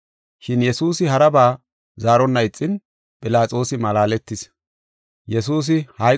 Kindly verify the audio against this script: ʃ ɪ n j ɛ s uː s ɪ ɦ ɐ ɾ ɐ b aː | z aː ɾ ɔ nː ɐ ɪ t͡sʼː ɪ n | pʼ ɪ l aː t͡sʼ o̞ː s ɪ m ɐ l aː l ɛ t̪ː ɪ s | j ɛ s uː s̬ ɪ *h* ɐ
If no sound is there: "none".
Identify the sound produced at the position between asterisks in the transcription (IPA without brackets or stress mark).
h